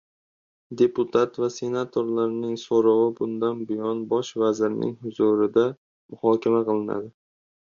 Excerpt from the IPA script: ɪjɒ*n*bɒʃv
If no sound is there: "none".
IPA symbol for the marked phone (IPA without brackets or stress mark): n